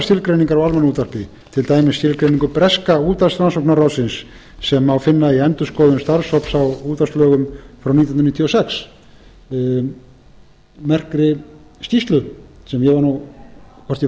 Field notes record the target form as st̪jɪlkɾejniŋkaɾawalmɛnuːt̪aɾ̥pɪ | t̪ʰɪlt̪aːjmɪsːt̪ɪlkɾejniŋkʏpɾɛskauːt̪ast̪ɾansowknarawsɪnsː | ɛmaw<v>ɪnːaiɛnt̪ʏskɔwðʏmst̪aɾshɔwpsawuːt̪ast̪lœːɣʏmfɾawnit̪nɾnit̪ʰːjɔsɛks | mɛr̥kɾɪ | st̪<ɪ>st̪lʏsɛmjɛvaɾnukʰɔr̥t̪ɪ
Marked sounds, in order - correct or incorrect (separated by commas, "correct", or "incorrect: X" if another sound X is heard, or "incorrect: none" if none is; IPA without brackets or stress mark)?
incorrect: f, incorrect: i